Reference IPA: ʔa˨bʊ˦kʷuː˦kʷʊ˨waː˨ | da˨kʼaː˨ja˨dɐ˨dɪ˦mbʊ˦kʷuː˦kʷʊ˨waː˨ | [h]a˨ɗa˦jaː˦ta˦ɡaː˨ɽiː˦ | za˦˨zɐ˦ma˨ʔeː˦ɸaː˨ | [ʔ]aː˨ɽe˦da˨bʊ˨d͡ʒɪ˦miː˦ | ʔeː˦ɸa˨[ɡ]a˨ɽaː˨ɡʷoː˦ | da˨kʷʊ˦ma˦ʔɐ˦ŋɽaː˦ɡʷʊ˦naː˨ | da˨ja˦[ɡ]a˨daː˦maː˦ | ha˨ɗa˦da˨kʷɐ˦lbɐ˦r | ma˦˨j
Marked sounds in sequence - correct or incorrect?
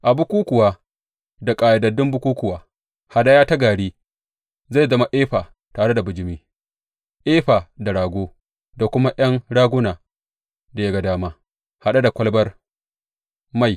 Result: correct, incorrect, incorrect, correct

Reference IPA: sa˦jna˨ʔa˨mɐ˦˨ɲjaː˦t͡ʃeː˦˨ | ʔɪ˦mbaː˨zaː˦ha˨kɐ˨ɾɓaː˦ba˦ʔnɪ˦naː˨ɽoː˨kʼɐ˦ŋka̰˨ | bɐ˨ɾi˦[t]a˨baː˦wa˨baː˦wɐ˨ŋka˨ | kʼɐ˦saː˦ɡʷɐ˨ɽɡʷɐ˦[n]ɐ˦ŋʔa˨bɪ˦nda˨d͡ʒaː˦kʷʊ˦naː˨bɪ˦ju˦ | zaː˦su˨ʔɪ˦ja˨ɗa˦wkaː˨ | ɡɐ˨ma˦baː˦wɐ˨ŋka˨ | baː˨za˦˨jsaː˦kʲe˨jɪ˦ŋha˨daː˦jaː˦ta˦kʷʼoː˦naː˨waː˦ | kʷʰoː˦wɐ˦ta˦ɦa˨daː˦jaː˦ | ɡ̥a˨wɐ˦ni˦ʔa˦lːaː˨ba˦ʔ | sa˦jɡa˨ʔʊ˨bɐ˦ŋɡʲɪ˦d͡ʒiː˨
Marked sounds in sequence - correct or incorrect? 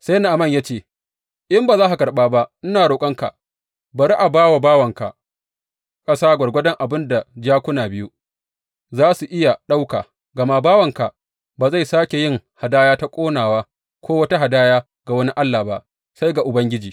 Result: incorrect, incorrect

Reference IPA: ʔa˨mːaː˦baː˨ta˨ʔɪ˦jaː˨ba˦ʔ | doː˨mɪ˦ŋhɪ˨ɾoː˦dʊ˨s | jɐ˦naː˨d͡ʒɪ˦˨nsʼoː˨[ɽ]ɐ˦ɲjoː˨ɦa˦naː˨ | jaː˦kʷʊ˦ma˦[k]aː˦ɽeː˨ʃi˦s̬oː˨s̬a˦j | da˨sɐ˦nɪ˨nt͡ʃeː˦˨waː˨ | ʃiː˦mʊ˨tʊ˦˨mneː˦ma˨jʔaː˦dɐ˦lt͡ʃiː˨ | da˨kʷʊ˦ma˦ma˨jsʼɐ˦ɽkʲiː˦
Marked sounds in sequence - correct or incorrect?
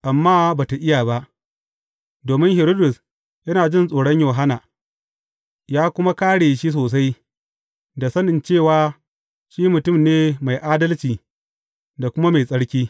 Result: correct, correct

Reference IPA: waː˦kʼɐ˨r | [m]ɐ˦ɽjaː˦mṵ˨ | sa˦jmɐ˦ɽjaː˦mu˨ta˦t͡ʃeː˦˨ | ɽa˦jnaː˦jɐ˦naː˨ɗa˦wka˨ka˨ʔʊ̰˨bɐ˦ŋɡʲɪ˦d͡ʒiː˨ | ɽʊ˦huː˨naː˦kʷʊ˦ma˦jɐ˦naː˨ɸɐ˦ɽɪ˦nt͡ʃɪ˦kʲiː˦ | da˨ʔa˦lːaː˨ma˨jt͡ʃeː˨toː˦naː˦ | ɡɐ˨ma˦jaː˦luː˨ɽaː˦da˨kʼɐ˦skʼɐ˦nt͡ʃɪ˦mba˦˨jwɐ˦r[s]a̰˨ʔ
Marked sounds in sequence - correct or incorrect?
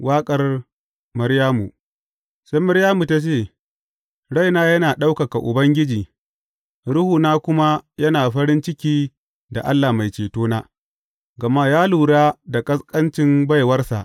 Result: correct, correct

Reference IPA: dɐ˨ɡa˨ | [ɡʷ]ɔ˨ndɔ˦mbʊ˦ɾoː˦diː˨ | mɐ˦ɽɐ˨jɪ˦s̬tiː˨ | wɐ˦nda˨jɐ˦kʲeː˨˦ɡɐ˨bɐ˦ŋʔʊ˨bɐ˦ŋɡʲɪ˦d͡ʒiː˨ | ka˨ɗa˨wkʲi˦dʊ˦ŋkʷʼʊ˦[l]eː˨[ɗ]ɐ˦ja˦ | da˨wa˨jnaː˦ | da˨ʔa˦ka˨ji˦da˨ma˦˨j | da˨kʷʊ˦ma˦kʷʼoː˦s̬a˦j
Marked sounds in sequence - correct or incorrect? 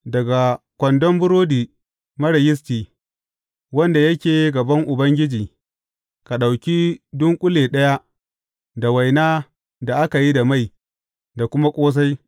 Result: incorrect, correct, correct

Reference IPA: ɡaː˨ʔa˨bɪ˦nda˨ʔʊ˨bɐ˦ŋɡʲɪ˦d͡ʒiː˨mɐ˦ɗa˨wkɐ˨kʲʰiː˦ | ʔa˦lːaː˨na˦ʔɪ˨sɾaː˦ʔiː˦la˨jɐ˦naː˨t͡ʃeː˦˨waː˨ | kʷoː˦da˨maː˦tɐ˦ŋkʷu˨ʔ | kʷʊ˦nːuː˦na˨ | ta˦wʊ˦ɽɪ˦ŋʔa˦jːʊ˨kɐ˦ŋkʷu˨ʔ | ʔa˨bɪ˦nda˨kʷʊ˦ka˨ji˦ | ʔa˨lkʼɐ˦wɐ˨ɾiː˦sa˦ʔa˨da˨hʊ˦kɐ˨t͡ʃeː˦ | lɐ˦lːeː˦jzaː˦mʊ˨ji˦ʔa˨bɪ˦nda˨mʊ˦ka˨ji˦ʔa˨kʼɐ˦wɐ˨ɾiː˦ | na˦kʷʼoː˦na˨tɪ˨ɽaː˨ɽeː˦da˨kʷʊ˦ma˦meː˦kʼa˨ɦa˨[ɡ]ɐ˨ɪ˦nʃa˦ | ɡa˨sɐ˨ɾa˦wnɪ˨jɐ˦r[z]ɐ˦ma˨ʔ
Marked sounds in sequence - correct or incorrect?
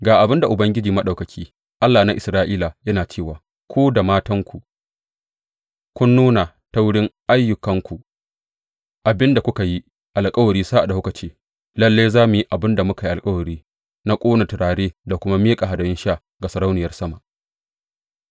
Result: incorrect, incorrect

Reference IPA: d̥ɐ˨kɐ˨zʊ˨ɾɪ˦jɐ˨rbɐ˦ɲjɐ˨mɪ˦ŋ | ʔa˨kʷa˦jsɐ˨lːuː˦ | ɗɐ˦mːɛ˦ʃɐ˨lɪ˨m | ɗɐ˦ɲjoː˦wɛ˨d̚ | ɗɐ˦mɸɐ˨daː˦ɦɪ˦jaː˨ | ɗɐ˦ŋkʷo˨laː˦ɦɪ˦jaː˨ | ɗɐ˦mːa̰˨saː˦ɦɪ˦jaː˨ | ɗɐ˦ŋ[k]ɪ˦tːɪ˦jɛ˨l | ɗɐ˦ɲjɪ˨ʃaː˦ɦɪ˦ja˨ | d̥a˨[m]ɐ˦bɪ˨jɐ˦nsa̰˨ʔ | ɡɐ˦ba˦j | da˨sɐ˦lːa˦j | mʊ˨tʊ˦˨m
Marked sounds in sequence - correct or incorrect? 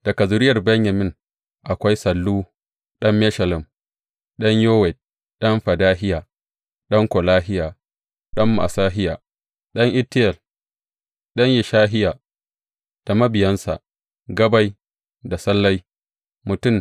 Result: incorrect, correct

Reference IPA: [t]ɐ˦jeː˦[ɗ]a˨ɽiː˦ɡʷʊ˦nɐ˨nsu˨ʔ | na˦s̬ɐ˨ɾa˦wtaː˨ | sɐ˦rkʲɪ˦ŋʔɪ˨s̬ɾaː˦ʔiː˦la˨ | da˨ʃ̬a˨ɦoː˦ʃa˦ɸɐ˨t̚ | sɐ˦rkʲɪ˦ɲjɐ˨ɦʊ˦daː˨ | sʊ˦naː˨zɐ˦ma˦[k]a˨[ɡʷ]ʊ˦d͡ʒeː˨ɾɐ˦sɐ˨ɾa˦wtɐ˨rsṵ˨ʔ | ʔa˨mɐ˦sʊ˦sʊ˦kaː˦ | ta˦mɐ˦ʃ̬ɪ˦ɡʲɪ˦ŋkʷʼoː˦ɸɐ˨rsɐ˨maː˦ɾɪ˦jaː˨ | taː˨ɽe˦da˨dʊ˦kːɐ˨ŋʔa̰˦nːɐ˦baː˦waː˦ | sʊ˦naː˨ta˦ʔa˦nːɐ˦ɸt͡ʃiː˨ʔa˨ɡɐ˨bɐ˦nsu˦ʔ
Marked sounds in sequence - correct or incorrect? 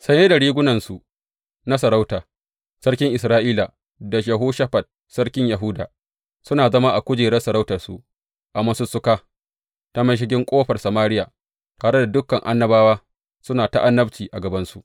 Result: incorrect, incorrect, incorrect, incorrect

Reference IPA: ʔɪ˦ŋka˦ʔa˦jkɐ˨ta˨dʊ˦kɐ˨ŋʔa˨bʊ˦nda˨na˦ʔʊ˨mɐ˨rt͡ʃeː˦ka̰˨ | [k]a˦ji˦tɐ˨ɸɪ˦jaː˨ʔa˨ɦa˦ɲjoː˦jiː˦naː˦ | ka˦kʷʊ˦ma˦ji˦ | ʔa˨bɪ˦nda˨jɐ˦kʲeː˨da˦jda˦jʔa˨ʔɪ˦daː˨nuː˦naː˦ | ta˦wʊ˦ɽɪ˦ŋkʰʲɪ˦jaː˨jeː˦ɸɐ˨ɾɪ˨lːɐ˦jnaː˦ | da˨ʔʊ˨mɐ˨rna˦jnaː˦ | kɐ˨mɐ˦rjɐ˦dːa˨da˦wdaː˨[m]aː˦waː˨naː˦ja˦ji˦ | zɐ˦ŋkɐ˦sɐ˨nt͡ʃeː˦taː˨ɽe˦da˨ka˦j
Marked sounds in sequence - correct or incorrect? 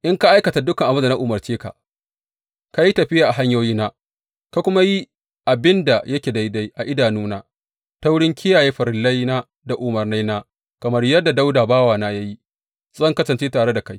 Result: correct, incorrect

